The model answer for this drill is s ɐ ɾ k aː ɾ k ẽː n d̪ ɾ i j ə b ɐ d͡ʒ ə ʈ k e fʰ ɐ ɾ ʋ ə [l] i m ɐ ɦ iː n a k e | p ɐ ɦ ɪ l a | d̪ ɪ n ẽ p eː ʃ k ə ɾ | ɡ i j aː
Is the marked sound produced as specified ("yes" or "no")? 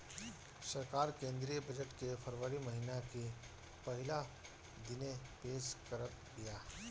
no